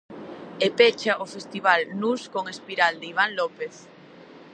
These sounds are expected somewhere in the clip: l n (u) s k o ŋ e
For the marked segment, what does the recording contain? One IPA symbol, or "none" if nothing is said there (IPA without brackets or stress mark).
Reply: u